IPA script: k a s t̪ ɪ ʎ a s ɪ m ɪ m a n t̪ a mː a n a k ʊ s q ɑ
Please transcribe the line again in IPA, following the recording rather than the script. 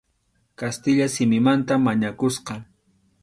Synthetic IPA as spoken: k a s t̪ ɪ ʎ a s ɪ m ɪ m a n t̪ a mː a ɲ a k ʊ s q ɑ